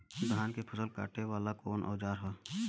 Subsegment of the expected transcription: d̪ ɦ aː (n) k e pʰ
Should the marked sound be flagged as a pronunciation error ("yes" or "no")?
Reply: no